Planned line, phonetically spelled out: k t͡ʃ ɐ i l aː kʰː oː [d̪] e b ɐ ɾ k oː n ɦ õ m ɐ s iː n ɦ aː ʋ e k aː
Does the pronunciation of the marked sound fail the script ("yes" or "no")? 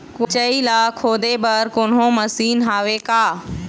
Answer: no